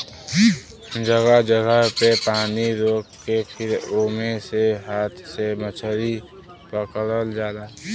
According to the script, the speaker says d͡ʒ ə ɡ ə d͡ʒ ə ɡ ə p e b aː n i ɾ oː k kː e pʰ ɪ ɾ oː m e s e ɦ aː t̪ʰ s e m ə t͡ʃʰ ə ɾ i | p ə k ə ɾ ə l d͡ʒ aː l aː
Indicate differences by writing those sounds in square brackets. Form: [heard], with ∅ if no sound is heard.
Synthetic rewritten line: d͡ʒ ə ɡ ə d͡ʒ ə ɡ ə p e [p] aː n i ɾ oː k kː e pʰ ɪ ɾ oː m e s e ɦ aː t̪ʰ s e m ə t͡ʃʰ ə ɾ i | p ə k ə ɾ ə l d͡ʒ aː l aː